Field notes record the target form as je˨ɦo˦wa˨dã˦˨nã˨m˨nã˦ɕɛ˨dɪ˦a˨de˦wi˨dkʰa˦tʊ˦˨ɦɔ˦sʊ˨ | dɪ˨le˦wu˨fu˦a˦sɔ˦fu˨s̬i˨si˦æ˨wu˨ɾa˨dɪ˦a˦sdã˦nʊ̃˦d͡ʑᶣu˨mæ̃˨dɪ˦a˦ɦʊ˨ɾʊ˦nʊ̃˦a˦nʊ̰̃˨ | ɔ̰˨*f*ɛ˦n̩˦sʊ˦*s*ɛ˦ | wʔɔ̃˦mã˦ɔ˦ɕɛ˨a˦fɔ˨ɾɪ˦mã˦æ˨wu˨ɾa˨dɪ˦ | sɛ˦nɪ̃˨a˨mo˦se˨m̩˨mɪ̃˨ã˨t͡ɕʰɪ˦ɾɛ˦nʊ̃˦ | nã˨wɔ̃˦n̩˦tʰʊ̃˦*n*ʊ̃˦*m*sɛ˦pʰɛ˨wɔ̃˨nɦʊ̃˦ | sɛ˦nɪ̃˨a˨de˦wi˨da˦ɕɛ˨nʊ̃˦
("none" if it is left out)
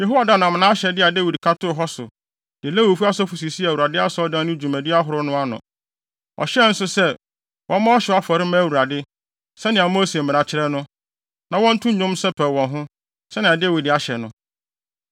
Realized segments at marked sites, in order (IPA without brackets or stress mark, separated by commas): ɕ, s, ɲ, m